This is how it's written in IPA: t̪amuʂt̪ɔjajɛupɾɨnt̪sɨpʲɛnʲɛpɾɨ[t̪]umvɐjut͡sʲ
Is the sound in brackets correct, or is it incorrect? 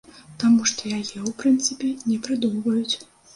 incorrect